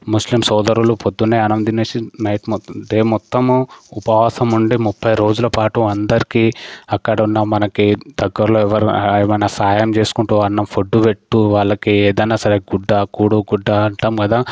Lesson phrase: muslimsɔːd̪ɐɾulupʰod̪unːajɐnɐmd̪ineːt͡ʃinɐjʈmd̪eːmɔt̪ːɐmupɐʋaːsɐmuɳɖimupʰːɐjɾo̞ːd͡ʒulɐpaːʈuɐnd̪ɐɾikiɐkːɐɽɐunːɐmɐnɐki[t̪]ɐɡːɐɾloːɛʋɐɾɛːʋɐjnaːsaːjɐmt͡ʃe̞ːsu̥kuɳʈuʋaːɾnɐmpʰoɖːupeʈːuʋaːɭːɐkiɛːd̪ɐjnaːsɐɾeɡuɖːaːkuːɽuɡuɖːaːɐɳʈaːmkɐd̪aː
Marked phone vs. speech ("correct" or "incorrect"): incorrect